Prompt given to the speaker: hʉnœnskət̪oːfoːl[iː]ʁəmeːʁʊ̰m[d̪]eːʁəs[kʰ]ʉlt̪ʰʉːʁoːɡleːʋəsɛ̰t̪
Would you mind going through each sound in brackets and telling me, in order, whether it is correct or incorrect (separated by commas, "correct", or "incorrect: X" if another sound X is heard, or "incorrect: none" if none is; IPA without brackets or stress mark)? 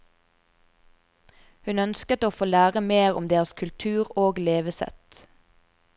incorrect: æː, correct, correct